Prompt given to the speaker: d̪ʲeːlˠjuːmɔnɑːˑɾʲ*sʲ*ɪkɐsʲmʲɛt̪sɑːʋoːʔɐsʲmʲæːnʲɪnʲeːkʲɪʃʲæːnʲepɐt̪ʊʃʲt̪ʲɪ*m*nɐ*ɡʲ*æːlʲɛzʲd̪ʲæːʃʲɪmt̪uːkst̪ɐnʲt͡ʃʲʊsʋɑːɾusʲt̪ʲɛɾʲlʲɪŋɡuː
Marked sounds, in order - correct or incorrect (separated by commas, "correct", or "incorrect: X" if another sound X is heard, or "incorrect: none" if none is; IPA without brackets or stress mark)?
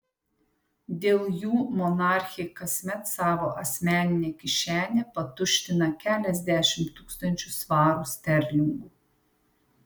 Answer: incorrect: xʲ, incorrect: none, incorrect: kʲ